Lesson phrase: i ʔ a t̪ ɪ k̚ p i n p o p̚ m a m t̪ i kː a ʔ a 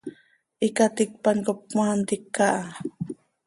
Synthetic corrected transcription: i k a t̪ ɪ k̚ p a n k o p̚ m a n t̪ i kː a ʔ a